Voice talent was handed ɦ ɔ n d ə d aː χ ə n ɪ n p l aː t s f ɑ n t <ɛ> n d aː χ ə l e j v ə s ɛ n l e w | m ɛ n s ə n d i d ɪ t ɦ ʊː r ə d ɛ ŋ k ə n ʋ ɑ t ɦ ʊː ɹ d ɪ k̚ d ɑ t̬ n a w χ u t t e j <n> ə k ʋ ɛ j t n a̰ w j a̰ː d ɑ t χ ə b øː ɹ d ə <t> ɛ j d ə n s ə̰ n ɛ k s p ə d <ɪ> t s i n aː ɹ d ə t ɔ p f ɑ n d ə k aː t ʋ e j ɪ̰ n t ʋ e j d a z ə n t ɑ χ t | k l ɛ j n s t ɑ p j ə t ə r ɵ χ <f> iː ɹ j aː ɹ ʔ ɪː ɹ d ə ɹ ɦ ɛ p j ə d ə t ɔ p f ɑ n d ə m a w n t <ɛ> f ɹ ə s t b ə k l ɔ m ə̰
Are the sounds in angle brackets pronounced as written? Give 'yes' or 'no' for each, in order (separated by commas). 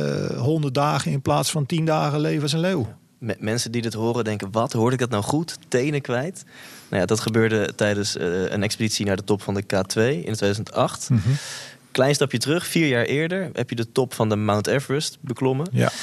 no, yes, yes, no, yes, yes